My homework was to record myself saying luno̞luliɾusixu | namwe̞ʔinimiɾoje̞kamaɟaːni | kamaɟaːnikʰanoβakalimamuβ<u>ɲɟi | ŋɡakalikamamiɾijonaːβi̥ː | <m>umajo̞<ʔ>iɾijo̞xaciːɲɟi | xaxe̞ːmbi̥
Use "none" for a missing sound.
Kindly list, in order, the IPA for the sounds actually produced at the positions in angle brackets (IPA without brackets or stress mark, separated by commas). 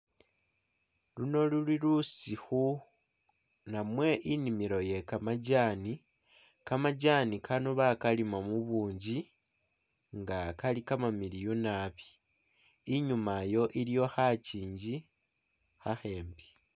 uː, ɲ, ʔ